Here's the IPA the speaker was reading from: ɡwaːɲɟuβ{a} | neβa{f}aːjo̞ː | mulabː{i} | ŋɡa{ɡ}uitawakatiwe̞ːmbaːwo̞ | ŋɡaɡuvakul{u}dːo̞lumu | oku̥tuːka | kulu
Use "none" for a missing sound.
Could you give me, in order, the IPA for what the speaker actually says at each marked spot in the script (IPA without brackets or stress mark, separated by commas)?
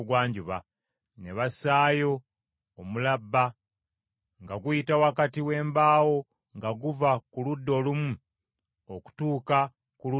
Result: a, s, a, ɡ, u